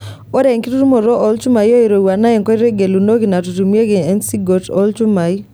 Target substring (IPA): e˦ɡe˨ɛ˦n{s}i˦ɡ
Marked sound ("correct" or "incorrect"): correct